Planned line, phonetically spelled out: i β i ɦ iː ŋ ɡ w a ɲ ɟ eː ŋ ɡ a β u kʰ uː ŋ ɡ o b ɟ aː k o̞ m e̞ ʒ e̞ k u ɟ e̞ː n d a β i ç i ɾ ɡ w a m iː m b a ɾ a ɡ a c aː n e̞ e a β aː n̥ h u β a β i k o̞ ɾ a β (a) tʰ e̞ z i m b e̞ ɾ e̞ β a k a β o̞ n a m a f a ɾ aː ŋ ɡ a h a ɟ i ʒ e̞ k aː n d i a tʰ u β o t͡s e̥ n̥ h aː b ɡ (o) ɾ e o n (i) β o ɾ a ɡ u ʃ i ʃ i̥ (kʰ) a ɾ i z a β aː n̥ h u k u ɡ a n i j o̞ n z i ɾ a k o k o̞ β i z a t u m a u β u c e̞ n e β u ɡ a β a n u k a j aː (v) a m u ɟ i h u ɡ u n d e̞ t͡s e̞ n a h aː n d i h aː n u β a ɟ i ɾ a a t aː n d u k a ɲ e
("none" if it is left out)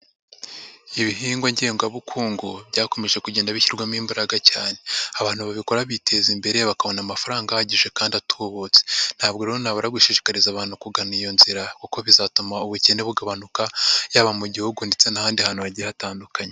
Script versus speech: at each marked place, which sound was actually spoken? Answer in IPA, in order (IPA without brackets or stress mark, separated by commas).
i, o, a, k, β